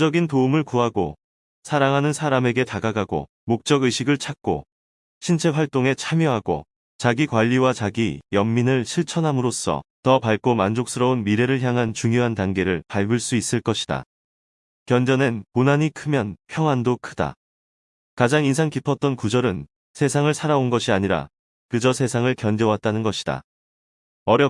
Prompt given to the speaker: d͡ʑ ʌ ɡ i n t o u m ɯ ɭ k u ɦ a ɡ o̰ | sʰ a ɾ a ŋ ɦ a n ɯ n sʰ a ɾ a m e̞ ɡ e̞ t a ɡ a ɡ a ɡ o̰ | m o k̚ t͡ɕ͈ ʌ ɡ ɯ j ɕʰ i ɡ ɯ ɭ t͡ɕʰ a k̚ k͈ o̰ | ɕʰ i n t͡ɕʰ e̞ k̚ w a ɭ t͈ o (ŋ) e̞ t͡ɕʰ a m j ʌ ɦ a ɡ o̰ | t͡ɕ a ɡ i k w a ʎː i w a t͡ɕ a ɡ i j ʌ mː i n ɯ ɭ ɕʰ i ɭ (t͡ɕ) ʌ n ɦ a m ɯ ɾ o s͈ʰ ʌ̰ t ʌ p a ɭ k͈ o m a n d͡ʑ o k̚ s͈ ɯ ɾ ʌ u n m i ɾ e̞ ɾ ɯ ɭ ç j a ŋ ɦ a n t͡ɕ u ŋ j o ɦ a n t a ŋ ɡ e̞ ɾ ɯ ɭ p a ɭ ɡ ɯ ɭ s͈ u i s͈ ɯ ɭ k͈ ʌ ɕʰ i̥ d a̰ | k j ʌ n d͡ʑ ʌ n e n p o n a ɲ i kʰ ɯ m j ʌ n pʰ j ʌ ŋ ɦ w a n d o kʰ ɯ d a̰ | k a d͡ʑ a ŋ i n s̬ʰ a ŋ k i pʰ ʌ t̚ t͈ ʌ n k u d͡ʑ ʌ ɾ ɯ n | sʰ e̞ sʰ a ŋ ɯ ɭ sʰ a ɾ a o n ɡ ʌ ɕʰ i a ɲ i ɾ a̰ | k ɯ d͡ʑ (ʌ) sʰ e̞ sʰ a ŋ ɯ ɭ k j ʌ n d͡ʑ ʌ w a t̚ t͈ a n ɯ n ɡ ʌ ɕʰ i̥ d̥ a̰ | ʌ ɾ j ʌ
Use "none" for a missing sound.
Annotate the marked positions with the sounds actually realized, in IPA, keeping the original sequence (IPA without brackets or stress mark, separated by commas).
ŋ, t͡ɕʰ, ʌ